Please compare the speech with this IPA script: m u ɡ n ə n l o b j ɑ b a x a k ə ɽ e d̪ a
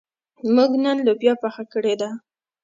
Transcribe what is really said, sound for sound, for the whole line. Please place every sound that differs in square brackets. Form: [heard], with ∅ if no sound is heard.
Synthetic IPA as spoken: m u ɡ n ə n l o b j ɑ [p] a x a k ə ɽ e d̪ a